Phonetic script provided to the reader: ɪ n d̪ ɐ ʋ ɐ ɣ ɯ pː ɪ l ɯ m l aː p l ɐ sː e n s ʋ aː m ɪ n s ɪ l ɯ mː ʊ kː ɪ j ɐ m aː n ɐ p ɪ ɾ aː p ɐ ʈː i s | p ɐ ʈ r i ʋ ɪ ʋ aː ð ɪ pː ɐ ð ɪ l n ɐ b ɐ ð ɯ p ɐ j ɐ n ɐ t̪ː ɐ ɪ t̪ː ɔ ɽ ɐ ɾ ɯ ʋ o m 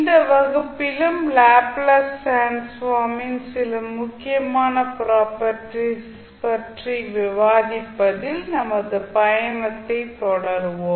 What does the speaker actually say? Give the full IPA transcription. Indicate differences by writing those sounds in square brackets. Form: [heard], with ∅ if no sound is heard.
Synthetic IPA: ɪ n d̪ ɐ ʋ ɐ ɣ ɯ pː ɪ l ɯ m l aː p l ɐ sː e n s ʋ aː m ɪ n s ɪ l ɯ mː ʊ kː ɪ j ɐ m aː n ɐ p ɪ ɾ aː p ɐ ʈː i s | p ɐ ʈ r i ʋ ɪ ʋ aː ð ɪ pː ɐ ð ɪ l n ɐ [m] ɐ ð ɯ p ɐ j ɐ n ɐ t̪ː ɐ ɪ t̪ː ɔ ɽ ɐ ɾ ɯ ʋ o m

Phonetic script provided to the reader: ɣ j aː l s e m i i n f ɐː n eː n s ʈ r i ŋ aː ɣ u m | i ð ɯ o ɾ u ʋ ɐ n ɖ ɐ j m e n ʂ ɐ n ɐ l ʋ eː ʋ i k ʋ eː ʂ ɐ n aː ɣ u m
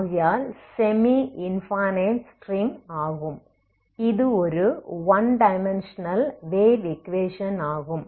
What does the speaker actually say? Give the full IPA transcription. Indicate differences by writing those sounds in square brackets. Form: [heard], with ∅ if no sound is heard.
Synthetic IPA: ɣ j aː l s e m i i n f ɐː n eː n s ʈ r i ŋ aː ɣ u m | i ð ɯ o ɾ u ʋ ɐ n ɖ ɐ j m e n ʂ ɐ n ɐ l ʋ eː ʋ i k ʋ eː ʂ ɐ n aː ɣ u m

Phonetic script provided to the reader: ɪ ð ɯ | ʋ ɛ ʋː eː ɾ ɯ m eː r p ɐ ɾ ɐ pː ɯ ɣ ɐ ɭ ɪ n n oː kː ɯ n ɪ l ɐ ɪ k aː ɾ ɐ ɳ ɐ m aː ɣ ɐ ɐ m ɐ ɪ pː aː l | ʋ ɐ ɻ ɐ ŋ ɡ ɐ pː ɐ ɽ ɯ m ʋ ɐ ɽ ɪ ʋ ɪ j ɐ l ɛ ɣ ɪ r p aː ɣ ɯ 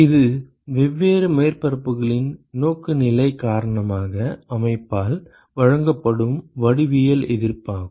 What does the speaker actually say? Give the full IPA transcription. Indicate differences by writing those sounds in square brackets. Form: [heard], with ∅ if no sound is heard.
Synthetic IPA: ɪ ð ɯ | ʋ ɛ ʋː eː ɾ ɯ m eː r p ɐ ɾ ɐ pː ɯ ɣ ɐ ɭ ɪ n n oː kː ɯ n ɪ l ɐ ɪ k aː ɾ ɐ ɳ ɐ m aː ɣ ɐ ɐ m ɐ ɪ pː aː l | ʋ ɐ ɻ ɐ ŋ ɡ ɐ pː ɐ ɽ ɯ m ʋ ɐ ɽ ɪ ʋ ɪ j ɐ l ɛ [ð] ɪ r p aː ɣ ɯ

